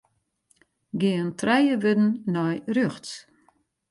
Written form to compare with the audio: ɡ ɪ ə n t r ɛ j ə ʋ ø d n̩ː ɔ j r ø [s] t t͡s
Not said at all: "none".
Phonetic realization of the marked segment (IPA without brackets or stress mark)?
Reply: x